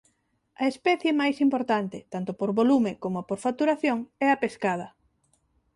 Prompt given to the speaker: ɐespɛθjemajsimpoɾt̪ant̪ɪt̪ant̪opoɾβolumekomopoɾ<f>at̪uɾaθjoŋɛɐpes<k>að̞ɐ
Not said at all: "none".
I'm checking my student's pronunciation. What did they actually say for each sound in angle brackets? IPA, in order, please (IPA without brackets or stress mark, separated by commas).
f, k